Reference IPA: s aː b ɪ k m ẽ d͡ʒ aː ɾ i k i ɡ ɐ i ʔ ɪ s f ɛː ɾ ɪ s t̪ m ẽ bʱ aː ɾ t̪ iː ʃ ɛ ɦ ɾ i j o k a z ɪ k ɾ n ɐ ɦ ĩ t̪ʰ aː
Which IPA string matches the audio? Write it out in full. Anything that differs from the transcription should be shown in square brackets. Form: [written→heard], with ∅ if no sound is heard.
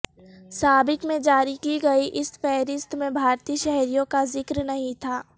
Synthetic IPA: s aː b ɪ k m ẽ d͡ʒ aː ɾ i k i ɡ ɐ i ʔ ɪ s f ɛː ɾ ɪ s t̪ m ẽ bʱ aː ɾ t̪ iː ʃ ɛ ɦ ɾ i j [o→õ] k a z ɪ k ɾ n ɐ ɦ ĩ t̪ʰ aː